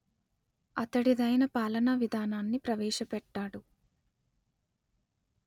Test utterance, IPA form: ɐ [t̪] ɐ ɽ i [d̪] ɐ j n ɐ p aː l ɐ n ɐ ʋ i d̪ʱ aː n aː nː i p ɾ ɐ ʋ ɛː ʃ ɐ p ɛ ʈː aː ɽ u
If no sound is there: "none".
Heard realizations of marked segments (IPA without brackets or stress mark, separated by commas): t̪, d̪